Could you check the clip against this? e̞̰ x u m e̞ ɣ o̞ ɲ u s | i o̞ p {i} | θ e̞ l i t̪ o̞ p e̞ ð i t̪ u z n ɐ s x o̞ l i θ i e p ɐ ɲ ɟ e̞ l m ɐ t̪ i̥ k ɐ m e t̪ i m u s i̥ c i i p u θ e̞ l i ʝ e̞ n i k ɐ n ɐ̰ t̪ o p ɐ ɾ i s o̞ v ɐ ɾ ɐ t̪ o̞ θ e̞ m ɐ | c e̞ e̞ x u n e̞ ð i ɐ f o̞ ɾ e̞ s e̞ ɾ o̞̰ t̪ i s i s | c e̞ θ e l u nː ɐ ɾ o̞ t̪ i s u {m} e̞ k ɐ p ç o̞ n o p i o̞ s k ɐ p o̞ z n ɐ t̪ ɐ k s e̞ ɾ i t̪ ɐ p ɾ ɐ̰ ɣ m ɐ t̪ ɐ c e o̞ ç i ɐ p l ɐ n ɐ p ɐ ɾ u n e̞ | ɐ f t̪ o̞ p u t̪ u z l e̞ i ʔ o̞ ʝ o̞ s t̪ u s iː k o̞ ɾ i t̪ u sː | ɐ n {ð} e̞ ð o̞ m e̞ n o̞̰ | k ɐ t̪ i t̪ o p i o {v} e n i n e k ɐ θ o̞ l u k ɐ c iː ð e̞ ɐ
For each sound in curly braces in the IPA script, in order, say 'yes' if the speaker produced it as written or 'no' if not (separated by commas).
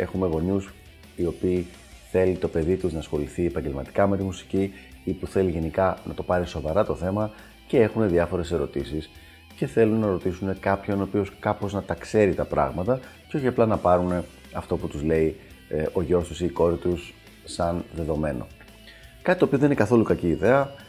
no, no, yes, no